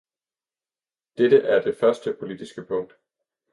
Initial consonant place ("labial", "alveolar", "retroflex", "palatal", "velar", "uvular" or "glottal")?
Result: alveolar